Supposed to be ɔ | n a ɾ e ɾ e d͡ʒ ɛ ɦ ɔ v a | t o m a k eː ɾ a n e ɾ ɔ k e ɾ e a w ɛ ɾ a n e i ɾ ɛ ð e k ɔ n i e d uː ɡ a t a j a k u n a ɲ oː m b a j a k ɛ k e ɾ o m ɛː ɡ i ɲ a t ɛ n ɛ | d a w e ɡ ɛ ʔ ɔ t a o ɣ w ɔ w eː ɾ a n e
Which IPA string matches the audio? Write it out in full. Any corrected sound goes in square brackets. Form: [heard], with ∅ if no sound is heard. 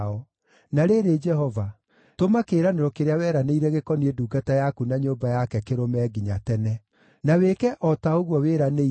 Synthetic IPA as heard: ɔ | n a ɾ e ɾ e d͡ʒ ɛ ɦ ɔ v a | t o m a k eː ɾ a n e ɾ ɔ k e ɾ e a w ɛ ɾ a n e i ɾ ɛ [ɣ] e k ɔ n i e d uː ɡ a t a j a k u n a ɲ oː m b a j a k ɛ k e ɾ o m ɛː ɡ i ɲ a t ɛ n ɛ | [n] a w e [k] ɛ ʔ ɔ t a o ɣ w ɔ w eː ɾ a n e